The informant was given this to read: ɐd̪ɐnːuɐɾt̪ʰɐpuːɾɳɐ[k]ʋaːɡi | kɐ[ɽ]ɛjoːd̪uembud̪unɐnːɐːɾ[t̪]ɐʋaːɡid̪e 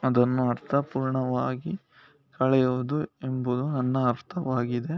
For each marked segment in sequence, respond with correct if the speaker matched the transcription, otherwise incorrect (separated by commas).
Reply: incorrect, incorrect, incorrect